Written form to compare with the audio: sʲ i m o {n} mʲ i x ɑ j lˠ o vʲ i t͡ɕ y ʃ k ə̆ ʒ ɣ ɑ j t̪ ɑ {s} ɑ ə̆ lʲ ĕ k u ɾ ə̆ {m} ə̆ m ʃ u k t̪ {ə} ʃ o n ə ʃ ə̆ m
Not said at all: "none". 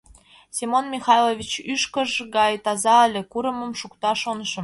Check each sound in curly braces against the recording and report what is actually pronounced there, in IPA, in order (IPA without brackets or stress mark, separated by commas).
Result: n, z, m, ɑ